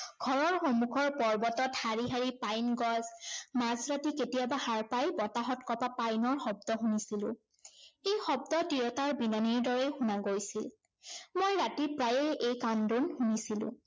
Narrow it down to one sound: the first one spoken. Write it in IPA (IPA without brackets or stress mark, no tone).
ɡʱ